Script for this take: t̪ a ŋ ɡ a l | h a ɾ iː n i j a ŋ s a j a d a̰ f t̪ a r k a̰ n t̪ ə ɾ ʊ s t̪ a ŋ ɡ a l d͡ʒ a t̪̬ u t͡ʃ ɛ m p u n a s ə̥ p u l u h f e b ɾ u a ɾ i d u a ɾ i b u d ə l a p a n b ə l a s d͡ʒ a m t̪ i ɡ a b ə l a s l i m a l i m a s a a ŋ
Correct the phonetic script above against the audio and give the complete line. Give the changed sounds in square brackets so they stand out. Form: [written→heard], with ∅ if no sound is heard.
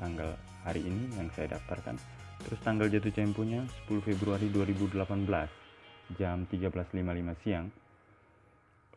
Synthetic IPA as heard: t̪ a ŋ ɡ a l | h a ɾ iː n i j a ŋ s a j a d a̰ f t̪ a r k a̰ n t̪ ə ɾ ʊ s t̪ a ŋ ɡ a l d͡ʒ a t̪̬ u t͡ʃ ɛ m p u [n→ɲ] a s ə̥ p u l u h f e b ɾ u a ɾ i d u a ɾ i b u d ə l a p a n b ə l a s d͡ʒ a m t̪ i ɡ a b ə l a s l i m a l i m a s [a→i] a ŋ